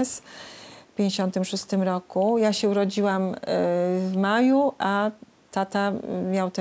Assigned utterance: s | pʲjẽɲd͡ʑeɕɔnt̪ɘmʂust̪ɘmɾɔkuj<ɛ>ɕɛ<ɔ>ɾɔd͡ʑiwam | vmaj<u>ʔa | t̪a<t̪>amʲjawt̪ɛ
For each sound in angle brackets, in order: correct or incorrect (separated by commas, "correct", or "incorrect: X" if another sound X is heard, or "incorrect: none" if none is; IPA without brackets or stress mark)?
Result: incorrect: a, incorrect: u, correct, correct